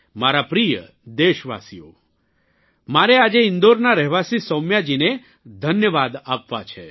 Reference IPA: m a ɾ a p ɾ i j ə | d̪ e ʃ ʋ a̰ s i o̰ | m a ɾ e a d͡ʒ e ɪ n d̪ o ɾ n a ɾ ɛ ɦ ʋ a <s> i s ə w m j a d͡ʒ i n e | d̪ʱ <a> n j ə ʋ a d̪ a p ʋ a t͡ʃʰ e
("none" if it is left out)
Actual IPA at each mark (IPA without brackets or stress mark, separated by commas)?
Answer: s, ə